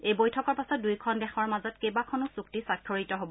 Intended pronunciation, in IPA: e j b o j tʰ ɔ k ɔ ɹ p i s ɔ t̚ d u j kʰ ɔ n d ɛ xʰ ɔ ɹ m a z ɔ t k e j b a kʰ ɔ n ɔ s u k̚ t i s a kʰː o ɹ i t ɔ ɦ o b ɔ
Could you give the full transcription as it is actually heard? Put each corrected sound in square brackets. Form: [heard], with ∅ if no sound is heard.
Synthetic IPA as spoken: e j b o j tʰ ɔ k ɔ ɹ p [a] s ɔ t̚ d u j kʰ ɔ n d ɛ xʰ ɔ ɹ m a z ɔ t k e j b a kʰ ɔ n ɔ s u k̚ t i s a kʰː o ɹ i t ɔ ɦ o b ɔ